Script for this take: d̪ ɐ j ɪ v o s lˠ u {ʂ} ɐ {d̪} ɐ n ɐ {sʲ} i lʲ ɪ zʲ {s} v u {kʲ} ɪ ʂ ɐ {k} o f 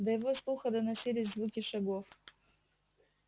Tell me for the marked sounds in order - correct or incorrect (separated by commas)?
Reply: incorrect, correct, correct, incorrect, correct, incorrect